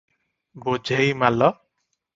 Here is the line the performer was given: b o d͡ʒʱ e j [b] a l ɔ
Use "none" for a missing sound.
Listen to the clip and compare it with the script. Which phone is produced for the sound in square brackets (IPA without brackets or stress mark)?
m